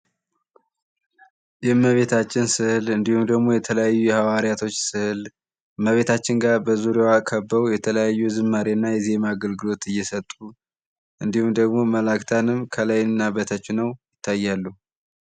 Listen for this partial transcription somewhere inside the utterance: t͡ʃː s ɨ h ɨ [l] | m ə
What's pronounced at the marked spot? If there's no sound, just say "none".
l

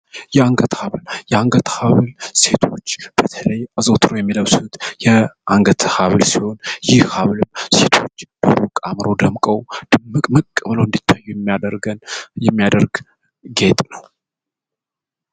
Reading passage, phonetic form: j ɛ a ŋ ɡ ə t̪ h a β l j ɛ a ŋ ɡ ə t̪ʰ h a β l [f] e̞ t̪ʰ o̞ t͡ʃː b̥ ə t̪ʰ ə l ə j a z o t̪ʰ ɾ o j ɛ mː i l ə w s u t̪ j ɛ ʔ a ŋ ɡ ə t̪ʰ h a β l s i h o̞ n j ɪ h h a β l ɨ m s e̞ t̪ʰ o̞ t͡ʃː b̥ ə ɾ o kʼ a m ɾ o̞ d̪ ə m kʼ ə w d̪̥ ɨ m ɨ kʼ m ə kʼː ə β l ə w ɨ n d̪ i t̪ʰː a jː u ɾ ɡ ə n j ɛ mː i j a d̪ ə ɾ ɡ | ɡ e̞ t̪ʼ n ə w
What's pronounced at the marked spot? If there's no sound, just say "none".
s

